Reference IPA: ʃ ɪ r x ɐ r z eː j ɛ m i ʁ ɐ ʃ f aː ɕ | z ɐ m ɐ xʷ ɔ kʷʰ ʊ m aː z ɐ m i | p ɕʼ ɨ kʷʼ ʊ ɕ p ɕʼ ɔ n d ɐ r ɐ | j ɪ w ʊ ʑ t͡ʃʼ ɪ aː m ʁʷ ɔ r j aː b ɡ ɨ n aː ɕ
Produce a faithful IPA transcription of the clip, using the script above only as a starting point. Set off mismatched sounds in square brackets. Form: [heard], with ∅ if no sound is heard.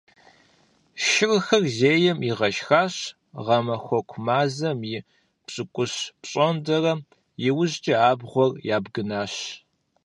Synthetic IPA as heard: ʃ ɪ r x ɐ r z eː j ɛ m i ʁ ɐ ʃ [x] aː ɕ | [ʁ] ɐ m ɐ xʷ ɔ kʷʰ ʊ m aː z ɐ m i | p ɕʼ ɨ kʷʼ ʊ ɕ p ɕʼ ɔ n d ɐ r ɐ | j ɪ w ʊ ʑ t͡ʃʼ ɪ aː [b] ʁʷ ɔ r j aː b ɡ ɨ n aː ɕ